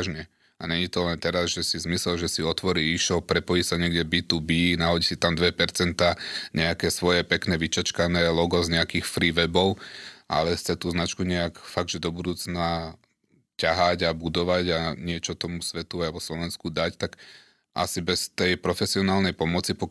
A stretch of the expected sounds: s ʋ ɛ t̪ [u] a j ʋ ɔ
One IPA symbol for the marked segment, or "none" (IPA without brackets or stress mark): u